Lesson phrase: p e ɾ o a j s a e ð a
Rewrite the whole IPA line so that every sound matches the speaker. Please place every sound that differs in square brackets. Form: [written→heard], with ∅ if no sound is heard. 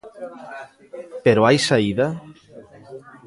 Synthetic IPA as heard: p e ɾ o a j s a [e→i] ð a